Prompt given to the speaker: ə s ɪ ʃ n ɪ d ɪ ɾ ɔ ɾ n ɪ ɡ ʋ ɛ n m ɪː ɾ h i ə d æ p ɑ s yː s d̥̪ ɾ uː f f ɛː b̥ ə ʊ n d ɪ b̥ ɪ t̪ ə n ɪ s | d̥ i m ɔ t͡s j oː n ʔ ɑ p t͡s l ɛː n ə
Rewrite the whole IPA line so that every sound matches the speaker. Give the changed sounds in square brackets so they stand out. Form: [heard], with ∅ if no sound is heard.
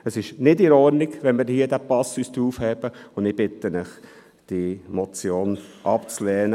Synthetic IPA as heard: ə s ɪ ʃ n ɪ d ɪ ɾ ɔ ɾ n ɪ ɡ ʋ ɛ n m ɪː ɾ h i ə d æ p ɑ s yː s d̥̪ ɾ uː f [h] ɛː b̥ ə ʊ n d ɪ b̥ ɪ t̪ ə n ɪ [χ] | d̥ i m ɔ t͡s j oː n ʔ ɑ p t͡s l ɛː n ə